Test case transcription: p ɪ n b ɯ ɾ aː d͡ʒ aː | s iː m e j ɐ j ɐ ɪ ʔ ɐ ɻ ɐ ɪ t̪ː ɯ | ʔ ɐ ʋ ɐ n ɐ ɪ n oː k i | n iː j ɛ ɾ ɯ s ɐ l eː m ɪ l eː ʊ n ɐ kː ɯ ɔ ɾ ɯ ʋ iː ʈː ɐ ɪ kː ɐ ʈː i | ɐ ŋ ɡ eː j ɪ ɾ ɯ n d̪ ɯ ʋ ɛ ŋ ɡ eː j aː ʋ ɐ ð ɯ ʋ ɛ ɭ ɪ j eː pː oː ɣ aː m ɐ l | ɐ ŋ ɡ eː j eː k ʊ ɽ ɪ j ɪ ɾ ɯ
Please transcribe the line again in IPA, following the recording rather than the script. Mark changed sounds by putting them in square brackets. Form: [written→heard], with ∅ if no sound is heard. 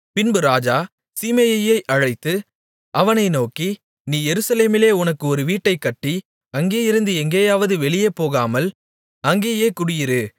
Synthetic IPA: p ɪ n b ɯ ɾ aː d͡ʒ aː | s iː m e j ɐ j ɐ ɪ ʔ ɐ ɻ ɐ ɪ t̪ː ɯ | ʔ ɐ ʋ ɐ n ɐ ɪ n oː k i | n iː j ɛ ɾ ɯ s ɐ l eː m ɪ l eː ʊ n ɐ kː ɯ ɔ ɾ ɯ ʋ iː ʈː ɐ ɪ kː ɐ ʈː i | ɐ ŋ ɡ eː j ɪ ɾ ɯ n d̪ ɯ [ʋ→∅] ɛ ŋ ɡ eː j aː ʋ ɐ ð ɯ ʋ ɛ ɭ ɪ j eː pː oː ɣ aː m ɐ l | ɐ ŋ ɡ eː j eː k ʊ ɽ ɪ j ɪ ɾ ɯ